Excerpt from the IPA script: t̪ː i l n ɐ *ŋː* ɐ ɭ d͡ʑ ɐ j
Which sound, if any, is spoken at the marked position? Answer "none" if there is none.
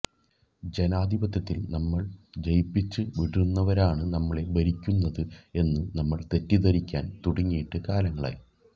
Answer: mː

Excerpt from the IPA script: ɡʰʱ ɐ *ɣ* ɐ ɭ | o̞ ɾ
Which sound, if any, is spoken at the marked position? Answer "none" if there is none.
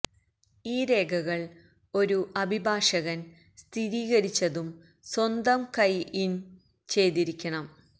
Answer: ɣ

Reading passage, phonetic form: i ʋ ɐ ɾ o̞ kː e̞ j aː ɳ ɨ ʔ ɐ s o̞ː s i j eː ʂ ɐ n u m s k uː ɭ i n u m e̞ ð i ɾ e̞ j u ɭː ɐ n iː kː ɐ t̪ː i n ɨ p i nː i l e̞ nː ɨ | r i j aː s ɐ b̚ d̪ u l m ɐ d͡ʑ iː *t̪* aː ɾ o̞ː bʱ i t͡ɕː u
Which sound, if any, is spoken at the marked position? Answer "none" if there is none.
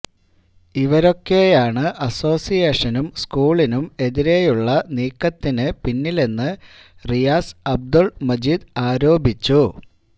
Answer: d̪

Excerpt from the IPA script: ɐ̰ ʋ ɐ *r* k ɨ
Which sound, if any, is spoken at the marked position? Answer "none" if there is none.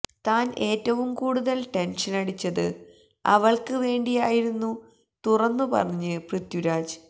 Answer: ɭ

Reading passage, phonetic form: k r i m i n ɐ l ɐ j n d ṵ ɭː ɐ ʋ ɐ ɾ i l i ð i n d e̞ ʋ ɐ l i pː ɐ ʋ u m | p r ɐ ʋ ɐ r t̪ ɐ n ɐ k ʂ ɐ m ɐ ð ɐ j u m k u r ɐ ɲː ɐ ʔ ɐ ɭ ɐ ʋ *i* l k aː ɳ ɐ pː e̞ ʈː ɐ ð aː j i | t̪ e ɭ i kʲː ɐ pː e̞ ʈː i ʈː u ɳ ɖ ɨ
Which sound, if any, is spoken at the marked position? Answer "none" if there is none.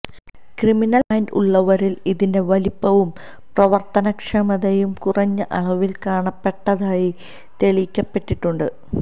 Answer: i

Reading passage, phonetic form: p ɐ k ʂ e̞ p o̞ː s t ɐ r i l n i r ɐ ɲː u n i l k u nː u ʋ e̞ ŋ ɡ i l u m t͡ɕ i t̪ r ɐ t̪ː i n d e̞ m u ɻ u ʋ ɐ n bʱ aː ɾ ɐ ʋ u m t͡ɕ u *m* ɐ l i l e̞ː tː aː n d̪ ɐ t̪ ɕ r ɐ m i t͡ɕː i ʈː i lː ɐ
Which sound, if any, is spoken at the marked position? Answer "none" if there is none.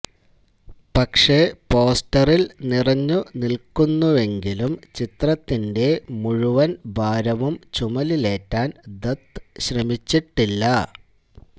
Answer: m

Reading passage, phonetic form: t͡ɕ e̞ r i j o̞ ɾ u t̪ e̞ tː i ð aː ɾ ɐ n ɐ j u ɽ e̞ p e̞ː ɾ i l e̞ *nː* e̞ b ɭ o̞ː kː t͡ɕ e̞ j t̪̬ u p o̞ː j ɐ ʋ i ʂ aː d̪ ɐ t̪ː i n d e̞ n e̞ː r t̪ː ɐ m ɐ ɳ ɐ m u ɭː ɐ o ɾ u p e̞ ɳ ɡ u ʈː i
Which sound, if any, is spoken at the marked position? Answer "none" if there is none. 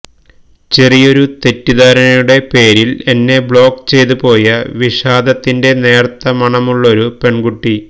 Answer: nː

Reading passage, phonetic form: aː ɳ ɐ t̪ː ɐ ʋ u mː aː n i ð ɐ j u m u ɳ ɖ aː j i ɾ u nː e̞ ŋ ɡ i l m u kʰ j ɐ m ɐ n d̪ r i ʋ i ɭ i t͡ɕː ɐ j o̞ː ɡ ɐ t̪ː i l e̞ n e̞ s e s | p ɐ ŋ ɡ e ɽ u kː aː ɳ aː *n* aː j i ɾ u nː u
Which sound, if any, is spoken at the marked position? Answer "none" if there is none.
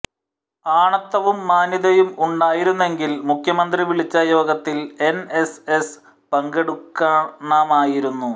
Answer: m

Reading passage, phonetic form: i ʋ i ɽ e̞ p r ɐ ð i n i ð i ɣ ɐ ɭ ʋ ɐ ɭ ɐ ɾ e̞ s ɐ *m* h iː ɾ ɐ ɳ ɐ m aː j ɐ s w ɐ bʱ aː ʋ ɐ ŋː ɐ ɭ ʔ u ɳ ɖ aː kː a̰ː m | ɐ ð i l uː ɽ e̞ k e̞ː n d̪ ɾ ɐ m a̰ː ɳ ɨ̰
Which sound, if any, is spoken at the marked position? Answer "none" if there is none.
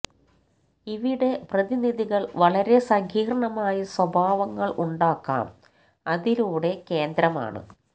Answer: ŋ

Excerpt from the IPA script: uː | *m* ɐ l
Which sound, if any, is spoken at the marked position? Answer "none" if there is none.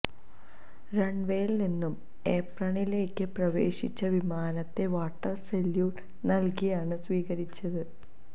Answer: n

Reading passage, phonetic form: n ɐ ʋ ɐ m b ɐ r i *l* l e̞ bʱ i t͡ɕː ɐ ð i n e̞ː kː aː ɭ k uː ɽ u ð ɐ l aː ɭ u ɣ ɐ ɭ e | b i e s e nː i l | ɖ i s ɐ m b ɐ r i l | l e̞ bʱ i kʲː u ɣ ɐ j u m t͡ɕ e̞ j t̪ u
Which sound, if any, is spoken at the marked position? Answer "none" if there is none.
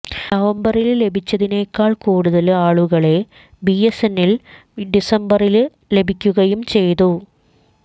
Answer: l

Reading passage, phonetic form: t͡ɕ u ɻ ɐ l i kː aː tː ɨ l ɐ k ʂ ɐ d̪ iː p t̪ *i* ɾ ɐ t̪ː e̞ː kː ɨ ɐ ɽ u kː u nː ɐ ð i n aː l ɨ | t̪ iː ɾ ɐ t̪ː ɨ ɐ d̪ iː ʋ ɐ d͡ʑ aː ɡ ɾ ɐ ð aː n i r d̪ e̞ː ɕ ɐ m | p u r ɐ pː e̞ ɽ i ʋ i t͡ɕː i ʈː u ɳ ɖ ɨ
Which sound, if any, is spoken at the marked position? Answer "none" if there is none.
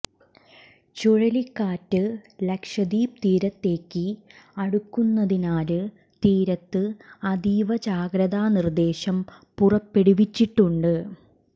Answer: iː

